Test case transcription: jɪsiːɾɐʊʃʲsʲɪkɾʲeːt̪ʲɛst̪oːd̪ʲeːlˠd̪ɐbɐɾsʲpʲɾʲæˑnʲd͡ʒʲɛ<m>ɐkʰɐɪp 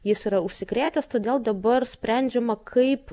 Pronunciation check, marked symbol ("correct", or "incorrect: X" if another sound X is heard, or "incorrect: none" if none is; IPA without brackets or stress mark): correct